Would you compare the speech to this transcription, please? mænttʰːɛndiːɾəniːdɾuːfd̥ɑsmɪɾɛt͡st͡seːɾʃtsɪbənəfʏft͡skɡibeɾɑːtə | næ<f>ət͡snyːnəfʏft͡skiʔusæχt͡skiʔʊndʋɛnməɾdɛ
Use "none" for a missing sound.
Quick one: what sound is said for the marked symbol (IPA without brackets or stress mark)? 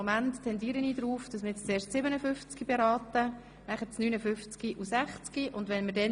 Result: χ